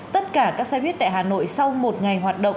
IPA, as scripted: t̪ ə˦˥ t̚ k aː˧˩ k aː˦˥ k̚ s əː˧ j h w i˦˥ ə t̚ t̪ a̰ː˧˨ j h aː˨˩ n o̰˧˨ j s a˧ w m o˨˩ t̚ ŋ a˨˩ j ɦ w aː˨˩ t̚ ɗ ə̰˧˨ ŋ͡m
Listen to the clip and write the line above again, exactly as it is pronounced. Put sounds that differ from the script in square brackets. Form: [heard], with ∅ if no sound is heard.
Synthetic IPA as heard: t̪ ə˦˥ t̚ k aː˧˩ k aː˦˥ k̚ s [aː˧] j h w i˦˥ ə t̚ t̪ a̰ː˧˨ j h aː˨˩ n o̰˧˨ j s a˧ w m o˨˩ t̚ ŋ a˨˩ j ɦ w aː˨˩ t̚ ɗ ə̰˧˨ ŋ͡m

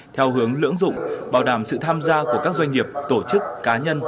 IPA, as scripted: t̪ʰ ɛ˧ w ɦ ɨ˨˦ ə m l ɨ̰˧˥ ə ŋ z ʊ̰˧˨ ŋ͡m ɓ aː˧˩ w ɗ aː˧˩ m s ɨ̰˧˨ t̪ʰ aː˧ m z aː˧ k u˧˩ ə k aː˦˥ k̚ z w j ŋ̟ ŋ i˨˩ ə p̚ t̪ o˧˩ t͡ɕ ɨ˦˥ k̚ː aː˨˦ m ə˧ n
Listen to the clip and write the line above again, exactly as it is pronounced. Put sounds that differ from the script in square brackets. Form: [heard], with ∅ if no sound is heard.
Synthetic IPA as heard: t̪ʰ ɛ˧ w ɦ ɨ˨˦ ə [ŋ] l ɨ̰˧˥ ə ŋ z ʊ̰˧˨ ŋ͡m ɓ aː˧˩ w ɗ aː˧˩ m s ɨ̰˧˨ t̪ʰ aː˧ m z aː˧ k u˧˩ ə k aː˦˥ k̚ z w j ŋ̟ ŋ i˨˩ ə p̚ t̪ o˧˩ t͡ɕ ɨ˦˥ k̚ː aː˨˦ [ɲ] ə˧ n

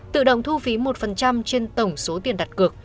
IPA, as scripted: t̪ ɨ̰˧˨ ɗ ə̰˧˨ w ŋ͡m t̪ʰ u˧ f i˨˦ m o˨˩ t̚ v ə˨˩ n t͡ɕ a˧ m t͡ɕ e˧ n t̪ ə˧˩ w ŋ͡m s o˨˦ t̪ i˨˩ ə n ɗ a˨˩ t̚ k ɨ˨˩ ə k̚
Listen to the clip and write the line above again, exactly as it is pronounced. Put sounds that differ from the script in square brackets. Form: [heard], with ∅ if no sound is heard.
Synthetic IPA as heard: t̪ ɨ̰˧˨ ɗ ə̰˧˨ w ŋ͡m t̪ʰ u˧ f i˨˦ m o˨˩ t̚ [f] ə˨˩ n t͡ɕ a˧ m t͡ɕ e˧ n t̪ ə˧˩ w ŋ͡m s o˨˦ t̪ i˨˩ ə n ɗ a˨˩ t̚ k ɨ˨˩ ə k̚

